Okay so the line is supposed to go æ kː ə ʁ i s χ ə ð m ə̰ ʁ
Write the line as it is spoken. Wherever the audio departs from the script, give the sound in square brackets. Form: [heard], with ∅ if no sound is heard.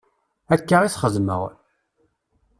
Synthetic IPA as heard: æ kː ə ʁ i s χ ə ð m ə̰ ʁ